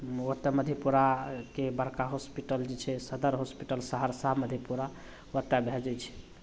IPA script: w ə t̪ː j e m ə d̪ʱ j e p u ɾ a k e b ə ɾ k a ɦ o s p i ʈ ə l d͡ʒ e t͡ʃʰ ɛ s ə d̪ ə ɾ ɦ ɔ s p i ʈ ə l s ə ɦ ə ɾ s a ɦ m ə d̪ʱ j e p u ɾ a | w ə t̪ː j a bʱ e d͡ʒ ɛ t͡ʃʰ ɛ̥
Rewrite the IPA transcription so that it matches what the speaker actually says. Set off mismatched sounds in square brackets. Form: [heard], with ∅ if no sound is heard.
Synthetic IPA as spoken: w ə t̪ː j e m ə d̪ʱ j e p u ɾ a k e b ə ɾ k a ɦ o s p i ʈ ə l d͡ʒ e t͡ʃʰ ɛ s ə d̪ ə ɾ ɦ [o] s p i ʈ ə l s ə ɦ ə ɾ s a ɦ m ə d̪ʱ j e p u ɾ a | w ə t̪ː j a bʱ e d͡ʒ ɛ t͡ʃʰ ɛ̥